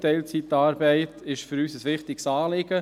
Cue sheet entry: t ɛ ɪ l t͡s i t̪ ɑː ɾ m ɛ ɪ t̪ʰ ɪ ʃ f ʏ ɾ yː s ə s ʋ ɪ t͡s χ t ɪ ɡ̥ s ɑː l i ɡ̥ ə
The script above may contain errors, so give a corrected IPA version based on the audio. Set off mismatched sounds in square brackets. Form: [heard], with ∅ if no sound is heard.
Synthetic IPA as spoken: t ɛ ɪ l t͡s i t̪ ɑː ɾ [b] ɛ ɪ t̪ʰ ɪ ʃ f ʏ ɾ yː s ə s ʋ ɪ [∅] χ t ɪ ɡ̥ s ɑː l [ɪ] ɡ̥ ə